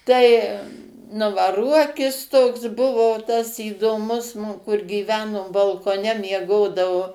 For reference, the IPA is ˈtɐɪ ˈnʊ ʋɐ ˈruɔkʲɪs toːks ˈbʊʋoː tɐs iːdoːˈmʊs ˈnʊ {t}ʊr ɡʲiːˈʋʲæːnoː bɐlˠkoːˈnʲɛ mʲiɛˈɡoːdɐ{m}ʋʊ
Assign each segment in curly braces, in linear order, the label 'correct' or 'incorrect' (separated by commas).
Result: incorrect, incorrect